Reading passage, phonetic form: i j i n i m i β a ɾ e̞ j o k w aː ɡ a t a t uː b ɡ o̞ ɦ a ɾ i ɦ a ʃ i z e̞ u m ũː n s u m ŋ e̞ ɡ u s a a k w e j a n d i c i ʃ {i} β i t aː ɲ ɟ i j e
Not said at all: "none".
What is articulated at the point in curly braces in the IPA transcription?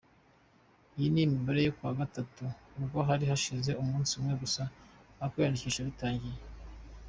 a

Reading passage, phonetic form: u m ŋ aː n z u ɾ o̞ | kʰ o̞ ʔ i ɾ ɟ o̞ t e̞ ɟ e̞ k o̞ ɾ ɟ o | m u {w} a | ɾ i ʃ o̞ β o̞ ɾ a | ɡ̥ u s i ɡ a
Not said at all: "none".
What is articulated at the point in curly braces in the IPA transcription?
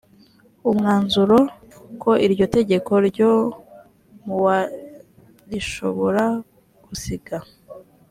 w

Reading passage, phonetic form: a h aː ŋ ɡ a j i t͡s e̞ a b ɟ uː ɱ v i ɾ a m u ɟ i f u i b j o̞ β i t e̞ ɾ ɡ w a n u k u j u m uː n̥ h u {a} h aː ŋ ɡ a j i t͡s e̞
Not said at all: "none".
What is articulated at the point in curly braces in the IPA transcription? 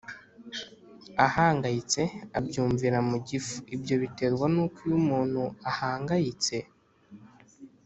a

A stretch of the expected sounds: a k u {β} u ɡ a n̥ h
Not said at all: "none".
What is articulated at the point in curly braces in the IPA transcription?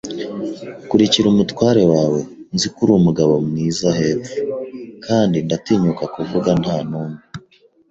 v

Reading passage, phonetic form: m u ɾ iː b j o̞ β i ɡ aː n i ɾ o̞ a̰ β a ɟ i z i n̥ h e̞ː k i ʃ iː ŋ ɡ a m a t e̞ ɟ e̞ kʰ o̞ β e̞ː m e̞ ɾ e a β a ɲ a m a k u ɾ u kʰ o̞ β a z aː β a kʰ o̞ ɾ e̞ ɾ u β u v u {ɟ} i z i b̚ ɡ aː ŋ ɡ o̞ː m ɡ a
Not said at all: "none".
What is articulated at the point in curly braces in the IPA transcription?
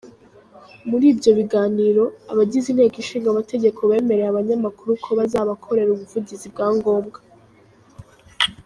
ɟ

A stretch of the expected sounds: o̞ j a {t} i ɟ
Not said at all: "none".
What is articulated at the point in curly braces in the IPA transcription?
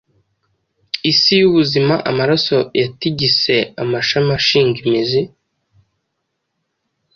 t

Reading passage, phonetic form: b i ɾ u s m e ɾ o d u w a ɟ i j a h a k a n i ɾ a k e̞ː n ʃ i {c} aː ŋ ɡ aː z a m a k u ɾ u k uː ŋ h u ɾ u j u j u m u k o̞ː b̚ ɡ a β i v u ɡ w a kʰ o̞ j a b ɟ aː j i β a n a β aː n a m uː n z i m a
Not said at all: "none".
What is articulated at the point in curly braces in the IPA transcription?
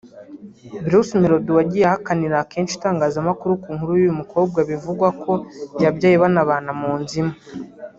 t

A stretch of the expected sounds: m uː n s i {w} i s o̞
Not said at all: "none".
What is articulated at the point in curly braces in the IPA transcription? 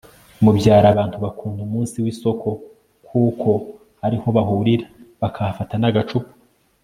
w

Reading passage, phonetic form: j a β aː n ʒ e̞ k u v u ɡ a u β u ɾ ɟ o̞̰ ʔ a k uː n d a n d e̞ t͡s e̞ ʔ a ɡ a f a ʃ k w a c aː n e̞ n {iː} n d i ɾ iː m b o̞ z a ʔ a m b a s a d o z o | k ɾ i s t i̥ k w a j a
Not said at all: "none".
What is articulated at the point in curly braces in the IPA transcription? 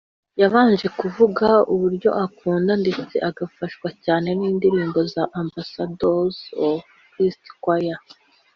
iː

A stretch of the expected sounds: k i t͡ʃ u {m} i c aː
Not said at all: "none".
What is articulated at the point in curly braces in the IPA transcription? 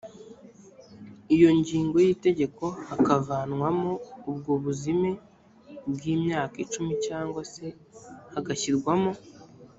m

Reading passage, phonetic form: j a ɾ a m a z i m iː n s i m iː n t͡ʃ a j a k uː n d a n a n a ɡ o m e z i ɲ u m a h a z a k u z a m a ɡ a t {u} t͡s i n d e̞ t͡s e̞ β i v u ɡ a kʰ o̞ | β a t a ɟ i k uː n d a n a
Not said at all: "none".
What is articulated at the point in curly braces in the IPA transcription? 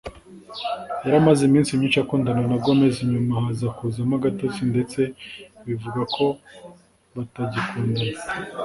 o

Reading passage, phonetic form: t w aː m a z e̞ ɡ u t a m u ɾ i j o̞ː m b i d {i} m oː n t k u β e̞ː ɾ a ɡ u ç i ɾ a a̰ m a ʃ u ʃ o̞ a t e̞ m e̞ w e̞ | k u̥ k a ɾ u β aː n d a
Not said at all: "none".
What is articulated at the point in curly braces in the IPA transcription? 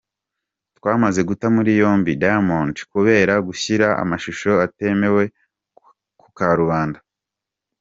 a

